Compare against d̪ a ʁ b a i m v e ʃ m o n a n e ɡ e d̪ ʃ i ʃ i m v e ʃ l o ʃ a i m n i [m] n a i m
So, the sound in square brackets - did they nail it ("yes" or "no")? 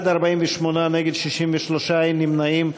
yes